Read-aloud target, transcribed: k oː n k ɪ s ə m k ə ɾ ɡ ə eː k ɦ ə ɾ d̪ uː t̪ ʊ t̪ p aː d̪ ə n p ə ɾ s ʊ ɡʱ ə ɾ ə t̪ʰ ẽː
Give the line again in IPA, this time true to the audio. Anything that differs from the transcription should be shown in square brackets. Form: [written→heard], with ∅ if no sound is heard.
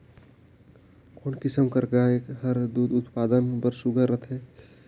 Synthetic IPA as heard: k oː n k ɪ s ə m k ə ɾ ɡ [ə→a] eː k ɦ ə ɾ d̪ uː [t̪→d̪] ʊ t̪ p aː d̪ ə n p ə ɾ s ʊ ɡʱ ə ɾ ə t̪ʰ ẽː